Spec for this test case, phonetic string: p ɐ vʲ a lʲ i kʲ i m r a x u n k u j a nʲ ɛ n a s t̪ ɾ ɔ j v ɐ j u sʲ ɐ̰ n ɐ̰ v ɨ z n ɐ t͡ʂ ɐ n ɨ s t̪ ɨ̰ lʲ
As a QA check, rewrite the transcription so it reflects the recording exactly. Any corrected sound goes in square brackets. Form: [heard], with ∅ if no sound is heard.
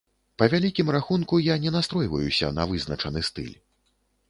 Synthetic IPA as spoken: p ɐ vʲ a lʲ i kʲ i m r a x u n k u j a nʲ ɛ n a s t̪ ɾ ɔ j v ɐ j u sʲ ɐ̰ n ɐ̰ v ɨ z n ɐ t͡ʂ ɐ n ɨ s t̪ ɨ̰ lʲ